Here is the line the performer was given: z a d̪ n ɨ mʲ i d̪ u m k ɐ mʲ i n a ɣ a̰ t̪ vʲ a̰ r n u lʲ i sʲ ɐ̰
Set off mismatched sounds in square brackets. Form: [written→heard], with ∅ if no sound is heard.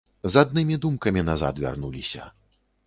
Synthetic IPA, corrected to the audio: z a d̪ n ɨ mʲ i d̪ u m k ɐ mʲ i n a [ɣ→z] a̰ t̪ vʲ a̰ r n u lʲ i sʲ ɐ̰